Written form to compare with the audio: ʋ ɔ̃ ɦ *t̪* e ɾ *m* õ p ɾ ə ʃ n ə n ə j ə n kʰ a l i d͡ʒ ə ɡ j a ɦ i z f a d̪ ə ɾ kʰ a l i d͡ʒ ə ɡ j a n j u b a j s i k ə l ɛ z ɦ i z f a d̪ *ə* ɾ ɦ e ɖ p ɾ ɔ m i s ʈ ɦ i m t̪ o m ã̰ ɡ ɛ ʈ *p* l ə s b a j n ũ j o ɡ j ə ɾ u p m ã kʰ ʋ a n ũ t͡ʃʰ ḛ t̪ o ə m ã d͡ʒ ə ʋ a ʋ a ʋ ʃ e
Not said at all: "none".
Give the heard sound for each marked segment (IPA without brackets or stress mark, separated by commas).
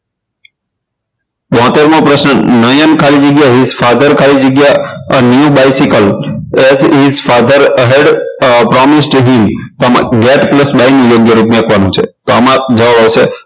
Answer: t̪, m, ə, p